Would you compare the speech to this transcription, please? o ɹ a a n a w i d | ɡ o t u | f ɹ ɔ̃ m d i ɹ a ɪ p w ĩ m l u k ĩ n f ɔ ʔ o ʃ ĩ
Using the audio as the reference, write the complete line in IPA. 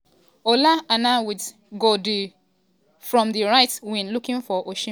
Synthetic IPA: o l a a n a w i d | ɡ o d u | f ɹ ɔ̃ m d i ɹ a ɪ t w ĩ n l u k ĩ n f ɔ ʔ o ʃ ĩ